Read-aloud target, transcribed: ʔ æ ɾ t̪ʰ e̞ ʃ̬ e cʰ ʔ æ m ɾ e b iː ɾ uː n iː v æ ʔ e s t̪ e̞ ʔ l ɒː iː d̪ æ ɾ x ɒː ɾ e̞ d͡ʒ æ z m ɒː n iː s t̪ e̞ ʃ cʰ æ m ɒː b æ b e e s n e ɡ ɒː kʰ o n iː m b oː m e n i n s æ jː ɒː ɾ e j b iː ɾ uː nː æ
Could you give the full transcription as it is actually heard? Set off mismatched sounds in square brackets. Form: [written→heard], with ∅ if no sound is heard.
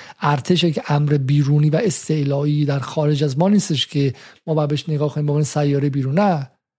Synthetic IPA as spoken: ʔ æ ɾ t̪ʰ e̞ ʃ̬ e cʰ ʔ æ m ɾ e b iː ɾ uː n iː v æ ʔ e s t̪ e̞ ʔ l ɒː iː d̪ æ ɾ x ɒː ɾ e̞ d͡ʒ æ z m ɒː n iː s t̪ e̞ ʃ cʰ [æ→e] m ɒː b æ b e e [s→ʃ] n e ɡ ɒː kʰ o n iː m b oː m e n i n s æ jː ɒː ɾ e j b iː ɾ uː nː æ